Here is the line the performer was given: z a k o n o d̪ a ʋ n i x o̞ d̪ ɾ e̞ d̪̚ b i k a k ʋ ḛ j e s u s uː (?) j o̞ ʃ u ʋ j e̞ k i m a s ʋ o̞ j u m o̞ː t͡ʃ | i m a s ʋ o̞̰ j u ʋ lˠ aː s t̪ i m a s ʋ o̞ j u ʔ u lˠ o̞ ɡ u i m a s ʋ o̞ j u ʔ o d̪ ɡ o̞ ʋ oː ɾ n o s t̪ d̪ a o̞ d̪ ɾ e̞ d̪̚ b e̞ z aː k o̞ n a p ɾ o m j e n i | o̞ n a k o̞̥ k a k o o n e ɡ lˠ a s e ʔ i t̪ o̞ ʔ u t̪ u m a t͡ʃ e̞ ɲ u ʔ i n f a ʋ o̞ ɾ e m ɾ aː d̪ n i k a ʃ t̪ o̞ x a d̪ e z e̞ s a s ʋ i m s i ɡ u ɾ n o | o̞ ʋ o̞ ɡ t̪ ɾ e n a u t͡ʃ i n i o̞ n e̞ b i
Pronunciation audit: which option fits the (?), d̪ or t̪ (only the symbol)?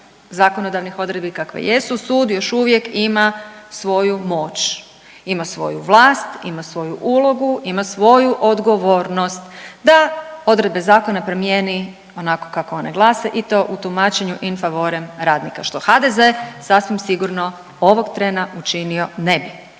d̪